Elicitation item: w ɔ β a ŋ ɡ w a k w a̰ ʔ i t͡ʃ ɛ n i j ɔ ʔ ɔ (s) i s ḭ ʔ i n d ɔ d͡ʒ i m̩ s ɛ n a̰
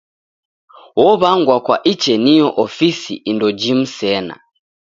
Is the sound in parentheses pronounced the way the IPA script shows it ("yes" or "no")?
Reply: no